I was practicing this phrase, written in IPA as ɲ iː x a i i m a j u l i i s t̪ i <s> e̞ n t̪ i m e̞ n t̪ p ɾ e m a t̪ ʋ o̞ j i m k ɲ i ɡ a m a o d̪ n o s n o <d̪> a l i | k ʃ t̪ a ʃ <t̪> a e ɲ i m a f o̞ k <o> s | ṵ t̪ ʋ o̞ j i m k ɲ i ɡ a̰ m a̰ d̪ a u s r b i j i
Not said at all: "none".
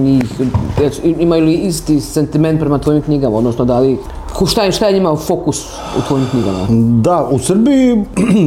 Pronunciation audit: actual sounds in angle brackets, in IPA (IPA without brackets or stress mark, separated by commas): s, d̪, t̪, u